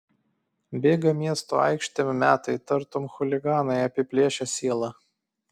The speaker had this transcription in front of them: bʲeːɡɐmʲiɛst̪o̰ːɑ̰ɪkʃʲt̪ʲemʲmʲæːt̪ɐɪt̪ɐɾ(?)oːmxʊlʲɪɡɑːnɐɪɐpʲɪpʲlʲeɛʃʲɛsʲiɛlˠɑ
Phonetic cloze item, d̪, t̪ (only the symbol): t̪